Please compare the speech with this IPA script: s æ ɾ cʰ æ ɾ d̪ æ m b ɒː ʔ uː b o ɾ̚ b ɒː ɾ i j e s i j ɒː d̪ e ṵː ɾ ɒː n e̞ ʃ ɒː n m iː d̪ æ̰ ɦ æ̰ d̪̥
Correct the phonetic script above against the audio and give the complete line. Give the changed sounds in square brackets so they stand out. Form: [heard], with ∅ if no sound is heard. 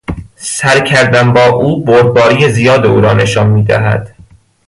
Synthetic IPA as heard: s æ ɾ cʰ æ ɾ d̪ æ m b ɒː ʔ uː b o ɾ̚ b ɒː ɾ i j e [z] i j ɒː d̪ e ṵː ɾ ɒː n e̞ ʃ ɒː n m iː d̪ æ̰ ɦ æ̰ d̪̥